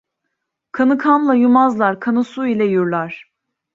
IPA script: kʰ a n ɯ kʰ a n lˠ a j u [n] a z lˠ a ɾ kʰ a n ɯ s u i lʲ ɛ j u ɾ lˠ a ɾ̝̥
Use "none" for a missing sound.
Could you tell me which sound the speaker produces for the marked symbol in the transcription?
m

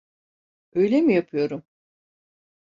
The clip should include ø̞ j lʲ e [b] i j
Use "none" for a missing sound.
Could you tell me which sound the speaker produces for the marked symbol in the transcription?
m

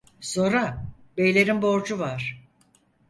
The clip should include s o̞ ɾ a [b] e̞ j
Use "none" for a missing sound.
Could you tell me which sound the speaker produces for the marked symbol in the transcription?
b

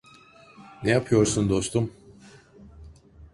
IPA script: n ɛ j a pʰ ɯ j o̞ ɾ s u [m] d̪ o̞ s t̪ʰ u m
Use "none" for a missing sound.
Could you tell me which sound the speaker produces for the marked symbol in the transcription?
n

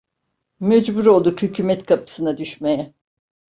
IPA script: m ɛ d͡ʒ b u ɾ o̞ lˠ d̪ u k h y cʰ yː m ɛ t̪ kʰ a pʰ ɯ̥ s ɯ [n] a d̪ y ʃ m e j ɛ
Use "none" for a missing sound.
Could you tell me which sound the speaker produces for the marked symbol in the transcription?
n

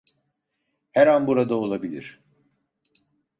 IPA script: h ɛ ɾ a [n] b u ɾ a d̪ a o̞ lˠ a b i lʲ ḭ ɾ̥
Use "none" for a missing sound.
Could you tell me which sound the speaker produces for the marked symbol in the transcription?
n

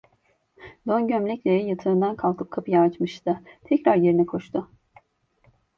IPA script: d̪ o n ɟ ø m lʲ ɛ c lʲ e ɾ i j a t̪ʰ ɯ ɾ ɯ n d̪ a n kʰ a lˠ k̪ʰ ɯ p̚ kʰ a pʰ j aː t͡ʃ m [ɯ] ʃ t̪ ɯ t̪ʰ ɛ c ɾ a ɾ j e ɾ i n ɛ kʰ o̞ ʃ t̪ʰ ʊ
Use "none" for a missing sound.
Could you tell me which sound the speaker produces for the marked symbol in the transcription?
ɯ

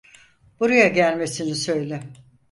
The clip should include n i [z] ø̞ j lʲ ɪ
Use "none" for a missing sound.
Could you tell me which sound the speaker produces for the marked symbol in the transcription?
s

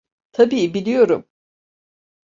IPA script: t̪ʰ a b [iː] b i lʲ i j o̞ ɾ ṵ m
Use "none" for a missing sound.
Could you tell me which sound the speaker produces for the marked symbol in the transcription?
iː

